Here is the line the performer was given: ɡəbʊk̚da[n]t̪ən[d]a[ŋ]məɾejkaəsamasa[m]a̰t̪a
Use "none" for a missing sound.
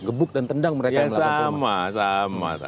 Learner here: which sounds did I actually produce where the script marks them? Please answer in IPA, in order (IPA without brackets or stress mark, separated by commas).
n, d, ŋ, m